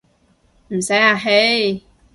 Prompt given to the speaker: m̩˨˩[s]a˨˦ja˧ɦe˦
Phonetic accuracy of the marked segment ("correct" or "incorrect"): correct